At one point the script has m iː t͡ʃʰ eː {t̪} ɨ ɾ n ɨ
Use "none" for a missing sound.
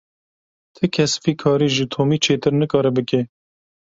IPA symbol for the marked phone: t̪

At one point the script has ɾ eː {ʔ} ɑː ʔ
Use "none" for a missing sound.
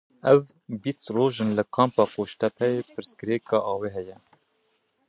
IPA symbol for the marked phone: k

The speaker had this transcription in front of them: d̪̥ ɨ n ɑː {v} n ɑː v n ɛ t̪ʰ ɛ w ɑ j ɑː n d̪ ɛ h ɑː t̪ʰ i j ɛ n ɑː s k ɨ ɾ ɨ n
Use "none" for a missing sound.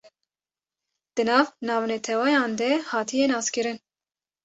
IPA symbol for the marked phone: v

